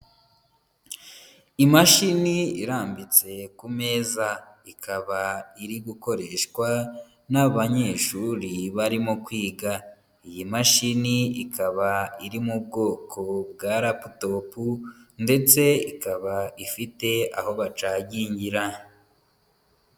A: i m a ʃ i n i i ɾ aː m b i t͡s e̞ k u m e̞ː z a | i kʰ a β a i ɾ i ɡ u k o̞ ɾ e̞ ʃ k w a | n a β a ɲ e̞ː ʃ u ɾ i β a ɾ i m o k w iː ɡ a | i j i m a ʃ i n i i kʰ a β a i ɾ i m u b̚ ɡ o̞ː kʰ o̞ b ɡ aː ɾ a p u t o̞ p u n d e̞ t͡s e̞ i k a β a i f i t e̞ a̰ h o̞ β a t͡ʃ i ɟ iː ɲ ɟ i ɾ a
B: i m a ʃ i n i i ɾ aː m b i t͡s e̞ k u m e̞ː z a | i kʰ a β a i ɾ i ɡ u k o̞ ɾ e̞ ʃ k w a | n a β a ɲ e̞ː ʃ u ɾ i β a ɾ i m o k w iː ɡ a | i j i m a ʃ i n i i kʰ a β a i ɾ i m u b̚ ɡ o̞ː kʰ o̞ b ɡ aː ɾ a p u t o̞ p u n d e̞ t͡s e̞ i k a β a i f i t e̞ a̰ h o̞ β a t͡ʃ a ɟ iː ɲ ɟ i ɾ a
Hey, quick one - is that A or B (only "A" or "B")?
B